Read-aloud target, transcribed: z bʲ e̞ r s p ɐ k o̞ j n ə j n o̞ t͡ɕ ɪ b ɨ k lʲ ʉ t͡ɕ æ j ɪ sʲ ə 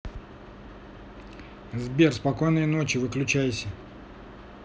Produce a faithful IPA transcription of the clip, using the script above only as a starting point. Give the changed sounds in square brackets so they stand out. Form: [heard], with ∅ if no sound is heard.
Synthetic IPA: z bʲ e̞ r s p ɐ k o̞ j n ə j n o̞ t͡ɕ ɪ [v] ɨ k lʲ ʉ t͡ɕ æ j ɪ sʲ ə